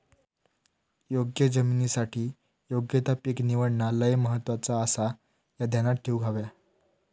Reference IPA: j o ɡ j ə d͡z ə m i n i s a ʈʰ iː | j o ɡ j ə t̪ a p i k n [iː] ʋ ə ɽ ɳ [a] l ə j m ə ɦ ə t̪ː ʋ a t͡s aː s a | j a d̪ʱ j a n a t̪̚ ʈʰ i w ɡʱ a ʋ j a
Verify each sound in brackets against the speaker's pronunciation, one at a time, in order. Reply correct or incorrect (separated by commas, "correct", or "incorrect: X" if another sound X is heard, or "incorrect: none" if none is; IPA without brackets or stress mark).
incorrect: i, correct